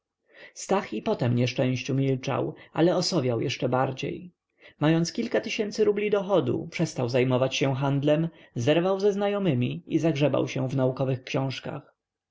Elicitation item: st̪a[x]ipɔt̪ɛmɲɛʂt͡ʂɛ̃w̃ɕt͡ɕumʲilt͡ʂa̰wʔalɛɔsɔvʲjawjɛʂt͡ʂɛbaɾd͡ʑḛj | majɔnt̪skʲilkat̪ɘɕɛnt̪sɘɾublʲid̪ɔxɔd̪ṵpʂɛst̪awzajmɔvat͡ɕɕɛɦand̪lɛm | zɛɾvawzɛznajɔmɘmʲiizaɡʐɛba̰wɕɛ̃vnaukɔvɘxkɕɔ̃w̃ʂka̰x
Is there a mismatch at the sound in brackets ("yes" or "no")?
no